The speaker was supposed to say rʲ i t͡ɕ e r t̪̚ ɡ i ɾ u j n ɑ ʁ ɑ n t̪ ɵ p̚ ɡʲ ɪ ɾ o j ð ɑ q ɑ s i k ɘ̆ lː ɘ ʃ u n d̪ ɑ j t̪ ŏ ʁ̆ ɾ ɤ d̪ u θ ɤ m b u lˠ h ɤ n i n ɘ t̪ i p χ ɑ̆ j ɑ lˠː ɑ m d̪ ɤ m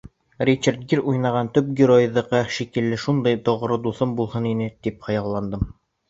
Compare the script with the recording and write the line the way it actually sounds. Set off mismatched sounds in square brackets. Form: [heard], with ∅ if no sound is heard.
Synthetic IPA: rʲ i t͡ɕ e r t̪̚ ɡ i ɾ u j n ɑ ʁ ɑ n t̪ ɵ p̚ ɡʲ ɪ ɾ o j ð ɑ q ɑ [ʃ] i k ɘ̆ lː ɘ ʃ u n d̪ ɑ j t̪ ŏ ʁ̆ ɾ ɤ d̪ u θ ɤ m b u lˠ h ɤ n i n ɘ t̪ i p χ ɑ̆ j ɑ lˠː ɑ [n] d̪ ɤ m